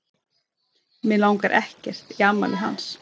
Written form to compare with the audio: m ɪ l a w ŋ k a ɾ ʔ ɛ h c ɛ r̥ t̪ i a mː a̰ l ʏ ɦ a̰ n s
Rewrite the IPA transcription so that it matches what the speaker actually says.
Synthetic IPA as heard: m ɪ l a w ŋ k a ɾ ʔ ɛ h c ɛ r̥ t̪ i a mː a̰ l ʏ ɦ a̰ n s

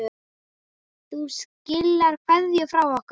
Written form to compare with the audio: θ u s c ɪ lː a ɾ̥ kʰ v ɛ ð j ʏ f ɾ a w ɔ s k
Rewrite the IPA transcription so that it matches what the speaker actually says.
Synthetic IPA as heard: θ u s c ɪ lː a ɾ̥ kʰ v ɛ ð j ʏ f ɾ a w ɔ h k

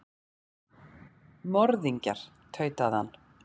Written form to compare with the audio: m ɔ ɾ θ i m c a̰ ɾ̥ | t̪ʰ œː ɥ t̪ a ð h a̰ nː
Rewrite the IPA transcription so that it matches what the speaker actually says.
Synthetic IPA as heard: m ɔ ɾ ð i ɲ c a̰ ɾ̥ | t̪ʰ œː ɥ t̪ a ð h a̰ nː

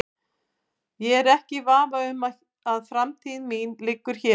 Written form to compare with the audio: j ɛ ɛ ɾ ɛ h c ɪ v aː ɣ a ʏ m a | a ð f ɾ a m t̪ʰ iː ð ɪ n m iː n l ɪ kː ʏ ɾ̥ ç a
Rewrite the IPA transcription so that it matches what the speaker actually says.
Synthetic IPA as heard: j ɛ ɛ ɾ ɛ h c ɪ v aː v a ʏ m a | a ð f ɾ a m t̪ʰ iː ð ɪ n m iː n l ɪ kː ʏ ɾ̥ ç ɛ

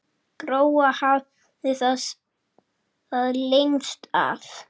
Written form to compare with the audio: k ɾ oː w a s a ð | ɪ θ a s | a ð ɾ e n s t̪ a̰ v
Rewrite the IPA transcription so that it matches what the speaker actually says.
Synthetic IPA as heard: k ɾ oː w a h a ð | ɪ θ a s | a ð l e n s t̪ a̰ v

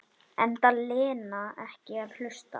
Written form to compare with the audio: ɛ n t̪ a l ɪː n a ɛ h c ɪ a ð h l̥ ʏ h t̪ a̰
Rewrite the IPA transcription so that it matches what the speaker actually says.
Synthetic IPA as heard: ɛ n t̪ a l ɪː n a ɛ h c ɪ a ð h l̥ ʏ s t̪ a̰

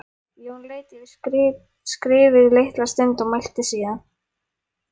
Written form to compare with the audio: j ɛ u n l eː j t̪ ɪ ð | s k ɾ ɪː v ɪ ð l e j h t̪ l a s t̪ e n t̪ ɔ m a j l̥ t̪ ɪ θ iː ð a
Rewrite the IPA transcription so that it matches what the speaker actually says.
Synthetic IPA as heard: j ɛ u n l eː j t̪ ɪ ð | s k ɾ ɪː v ɪ ð l e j h t̪ l a s t̪ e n t̪ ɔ m a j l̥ t̪ ɪ s iː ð a

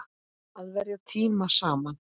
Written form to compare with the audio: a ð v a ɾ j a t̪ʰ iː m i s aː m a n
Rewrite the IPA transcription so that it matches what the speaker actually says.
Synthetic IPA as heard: a ð v ɛ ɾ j a t̪ʰ iː m a s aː m a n

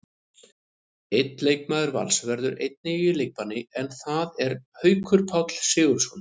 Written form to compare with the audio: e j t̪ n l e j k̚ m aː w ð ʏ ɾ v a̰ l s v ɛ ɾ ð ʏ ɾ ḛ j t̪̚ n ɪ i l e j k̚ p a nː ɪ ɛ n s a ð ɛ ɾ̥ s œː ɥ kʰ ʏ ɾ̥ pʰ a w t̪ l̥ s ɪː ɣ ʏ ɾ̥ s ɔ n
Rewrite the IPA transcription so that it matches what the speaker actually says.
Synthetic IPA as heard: e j t̪ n l e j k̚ m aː ð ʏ ɾ v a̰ l s v ɛ ɾ ð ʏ ɾ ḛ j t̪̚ n ɪ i l e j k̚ p a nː ɪ ɛ n θ a ð ɛ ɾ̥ h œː ɥ kʰ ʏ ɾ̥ pʰ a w t̪ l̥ s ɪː ɣ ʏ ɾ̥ s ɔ n

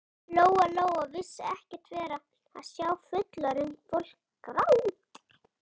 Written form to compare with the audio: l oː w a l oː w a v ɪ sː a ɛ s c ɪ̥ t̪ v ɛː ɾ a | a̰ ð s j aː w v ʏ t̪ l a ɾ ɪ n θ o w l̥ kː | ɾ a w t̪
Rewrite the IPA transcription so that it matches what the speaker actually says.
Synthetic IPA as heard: l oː w a l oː w a v ɪ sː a ɛ h c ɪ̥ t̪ v ɛː ɾ a | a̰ ð s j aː w f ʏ t̪ l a ɾ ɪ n f o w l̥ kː | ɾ a w t̪

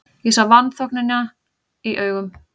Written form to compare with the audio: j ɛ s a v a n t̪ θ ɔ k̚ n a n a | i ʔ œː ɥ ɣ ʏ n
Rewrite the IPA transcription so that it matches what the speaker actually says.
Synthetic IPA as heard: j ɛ s a v a n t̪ θ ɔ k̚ n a n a | i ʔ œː ɥ ɣ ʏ m

